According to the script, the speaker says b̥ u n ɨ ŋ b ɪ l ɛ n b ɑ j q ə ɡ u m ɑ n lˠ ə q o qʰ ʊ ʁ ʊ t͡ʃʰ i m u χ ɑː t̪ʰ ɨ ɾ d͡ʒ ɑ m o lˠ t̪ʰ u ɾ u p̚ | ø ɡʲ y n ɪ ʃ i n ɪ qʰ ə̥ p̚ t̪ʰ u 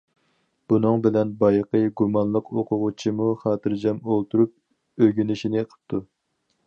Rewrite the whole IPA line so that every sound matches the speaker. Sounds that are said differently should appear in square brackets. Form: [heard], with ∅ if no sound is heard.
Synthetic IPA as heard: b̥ u n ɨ ŋ b ɪ l ɛ n b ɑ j q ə ɡ u m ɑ n lˠ ə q o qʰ ʊ ʁ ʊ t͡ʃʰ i m u χ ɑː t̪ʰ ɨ ɾ d͡ʒ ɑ m o lˠ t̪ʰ u ɾ u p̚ | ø ɡʲ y n ɪ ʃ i n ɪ qʰ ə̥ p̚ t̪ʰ u